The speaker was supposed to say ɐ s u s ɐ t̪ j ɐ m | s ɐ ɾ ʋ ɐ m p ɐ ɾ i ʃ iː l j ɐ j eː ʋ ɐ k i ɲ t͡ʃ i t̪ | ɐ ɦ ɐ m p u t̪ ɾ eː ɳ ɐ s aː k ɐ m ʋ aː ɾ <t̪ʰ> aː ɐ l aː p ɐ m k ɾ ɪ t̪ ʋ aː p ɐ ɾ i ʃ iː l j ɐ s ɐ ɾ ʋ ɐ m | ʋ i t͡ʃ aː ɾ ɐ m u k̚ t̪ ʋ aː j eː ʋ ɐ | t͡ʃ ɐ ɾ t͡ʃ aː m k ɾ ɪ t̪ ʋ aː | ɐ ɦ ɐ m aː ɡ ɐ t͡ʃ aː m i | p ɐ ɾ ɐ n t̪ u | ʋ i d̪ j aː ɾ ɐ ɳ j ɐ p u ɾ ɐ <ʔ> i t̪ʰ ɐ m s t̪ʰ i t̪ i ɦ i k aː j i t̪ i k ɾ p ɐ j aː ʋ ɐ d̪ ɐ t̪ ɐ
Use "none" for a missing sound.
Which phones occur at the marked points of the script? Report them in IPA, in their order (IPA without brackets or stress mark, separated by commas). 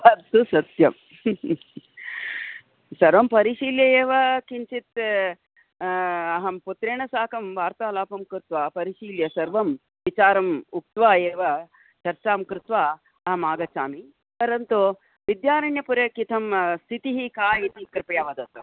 t̪, k